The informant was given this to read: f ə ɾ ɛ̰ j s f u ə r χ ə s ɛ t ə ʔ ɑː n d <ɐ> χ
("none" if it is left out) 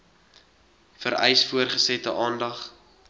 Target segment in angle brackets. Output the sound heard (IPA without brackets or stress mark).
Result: ɐ